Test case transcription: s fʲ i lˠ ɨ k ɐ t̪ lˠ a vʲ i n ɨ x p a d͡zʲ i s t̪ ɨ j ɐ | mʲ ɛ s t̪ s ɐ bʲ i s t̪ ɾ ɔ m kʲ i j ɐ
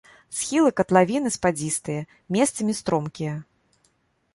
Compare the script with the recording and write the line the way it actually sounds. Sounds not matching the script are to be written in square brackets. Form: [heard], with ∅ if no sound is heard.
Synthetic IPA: s [xʲ] i lˠ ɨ k ɐ t̪ lˠ a vʲ i n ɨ [s] p a d͡zʲ i s t̪ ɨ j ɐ | mʲ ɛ s t̪ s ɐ [mʲ] i s t̪ ɾ ɔ m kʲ i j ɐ